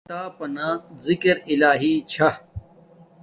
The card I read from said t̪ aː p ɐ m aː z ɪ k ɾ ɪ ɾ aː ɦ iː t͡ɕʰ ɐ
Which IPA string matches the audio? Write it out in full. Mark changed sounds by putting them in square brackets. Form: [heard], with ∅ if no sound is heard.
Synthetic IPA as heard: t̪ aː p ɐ [n] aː z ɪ k ɾ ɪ [l] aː ɦ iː t͡ɕʰ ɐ